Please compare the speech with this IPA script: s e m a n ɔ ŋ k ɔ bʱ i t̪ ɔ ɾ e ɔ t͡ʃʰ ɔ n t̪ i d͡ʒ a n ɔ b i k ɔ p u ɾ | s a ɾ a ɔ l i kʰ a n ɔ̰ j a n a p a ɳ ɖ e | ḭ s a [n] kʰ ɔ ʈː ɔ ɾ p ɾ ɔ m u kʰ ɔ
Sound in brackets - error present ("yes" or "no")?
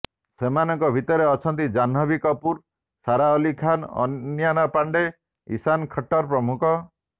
no